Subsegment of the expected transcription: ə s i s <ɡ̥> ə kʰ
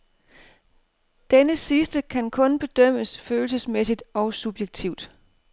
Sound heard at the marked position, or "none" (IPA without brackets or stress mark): d̥